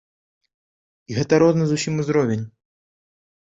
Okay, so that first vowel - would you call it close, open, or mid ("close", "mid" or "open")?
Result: close